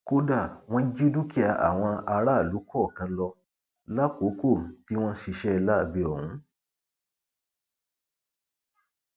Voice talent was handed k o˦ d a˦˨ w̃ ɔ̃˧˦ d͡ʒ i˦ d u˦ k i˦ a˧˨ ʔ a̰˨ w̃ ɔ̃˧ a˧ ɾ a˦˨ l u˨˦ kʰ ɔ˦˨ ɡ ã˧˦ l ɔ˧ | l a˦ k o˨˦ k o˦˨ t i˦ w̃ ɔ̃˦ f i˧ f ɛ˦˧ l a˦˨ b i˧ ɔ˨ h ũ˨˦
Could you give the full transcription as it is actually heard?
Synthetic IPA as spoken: k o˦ d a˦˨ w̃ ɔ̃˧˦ d͡ʒ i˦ d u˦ k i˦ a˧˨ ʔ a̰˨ w̃ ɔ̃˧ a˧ ɾ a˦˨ l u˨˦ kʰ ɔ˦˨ k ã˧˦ l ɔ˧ | l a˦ k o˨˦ k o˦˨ t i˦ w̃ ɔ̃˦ ʃ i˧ ʃ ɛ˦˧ l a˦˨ b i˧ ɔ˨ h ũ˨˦